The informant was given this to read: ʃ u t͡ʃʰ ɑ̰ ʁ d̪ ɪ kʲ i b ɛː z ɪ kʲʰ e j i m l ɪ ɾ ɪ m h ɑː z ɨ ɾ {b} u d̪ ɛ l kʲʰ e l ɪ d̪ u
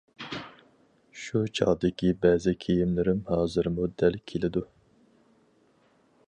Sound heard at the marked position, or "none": m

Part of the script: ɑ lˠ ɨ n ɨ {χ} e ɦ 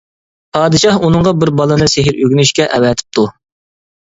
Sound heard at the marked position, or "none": s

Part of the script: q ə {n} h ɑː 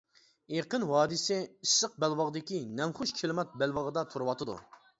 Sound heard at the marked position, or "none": n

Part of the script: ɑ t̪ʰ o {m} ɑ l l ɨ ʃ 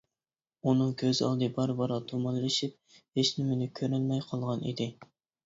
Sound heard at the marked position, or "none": m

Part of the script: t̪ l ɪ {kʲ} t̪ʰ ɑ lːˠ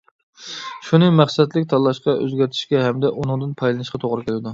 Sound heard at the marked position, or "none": kʲ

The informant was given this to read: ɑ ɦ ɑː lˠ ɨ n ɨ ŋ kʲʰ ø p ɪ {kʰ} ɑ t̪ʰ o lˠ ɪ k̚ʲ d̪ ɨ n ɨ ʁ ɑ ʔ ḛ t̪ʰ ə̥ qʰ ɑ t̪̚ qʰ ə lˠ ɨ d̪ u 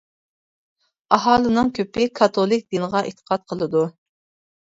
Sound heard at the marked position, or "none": kʰ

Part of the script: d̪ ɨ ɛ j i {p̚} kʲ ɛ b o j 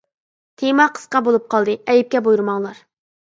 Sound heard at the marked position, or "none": p̚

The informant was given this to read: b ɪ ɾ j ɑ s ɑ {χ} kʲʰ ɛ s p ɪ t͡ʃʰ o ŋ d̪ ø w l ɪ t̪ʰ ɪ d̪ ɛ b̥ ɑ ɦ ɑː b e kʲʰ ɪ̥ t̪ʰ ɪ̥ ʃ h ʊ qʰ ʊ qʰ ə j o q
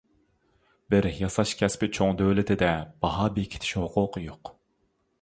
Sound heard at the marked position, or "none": ʃ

